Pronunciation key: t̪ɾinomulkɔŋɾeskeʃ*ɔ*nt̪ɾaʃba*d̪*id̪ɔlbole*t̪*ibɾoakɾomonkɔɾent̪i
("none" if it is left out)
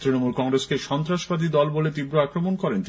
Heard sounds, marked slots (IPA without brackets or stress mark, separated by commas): ɔ, d̪, t̪